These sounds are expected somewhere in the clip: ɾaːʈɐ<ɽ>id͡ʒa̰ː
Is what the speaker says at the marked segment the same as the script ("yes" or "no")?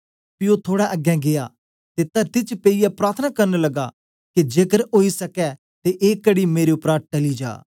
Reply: no